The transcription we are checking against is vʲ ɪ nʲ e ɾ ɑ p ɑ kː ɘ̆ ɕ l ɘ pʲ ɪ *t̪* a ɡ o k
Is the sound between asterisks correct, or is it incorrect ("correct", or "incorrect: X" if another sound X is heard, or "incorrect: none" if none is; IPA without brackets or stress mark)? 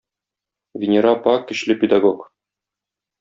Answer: incorrect: d̪